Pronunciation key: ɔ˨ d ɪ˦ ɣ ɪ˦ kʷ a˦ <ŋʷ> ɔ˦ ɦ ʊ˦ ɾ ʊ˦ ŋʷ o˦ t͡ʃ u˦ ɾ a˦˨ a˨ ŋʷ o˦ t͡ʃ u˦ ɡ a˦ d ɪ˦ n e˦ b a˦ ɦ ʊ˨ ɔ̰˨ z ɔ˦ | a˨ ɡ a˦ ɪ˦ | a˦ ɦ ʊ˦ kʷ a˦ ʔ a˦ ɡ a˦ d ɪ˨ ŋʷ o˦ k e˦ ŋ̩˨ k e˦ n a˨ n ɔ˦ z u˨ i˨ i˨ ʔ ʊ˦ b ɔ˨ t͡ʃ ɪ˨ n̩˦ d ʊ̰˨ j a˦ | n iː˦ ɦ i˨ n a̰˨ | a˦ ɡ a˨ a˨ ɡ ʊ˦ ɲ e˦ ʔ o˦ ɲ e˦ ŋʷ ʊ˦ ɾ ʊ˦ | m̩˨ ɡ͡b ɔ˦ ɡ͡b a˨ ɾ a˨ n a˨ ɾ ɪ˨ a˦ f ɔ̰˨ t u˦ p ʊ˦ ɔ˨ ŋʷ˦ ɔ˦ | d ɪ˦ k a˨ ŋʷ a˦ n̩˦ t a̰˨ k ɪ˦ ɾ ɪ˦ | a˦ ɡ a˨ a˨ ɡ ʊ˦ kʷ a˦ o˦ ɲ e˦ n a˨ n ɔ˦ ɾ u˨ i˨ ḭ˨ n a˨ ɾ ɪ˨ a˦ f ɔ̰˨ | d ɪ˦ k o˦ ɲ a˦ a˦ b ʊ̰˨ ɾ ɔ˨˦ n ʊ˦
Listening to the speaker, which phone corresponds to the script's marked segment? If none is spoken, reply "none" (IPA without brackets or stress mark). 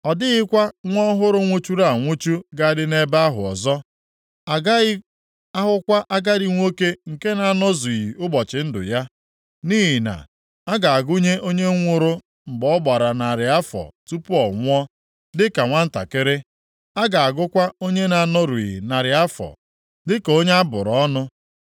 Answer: ŋʷ